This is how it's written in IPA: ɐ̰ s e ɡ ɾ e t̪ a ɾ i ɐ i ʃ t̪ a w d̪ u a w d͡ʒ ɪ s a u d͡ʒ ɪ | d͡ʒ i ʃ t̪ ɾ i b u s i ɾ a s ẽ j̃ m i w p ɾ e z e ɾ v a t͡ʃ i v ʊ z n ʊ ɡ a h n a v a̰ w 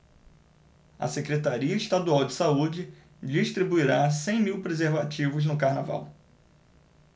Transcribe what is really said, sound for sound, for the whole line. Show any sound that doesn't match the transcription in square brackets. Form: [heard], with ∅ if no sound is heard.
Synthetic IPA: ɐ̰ s e [k] ɾ e t̪ a ɾ i ɐ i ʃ t̪ a [∅] d̪ u a w d͡ʒ ɪ s a u d͡ʒ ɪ | d͡ʒ i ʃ t̪ ɾ i b u [∅] i ɾ a s ẽ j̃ m i w p ɾ e z e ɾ v a t͡ʃ i v ʊ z n ʊ [k] a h n a v a̰ w